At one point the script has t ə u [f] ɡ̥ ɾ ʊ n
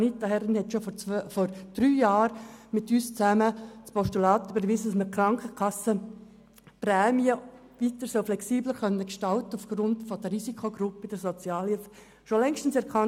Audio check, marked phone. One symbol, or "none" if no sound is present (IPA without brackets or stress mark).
f